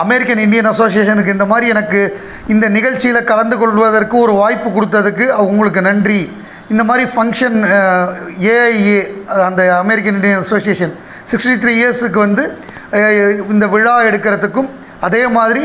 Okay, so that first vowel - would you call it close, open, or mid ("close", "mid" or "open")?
open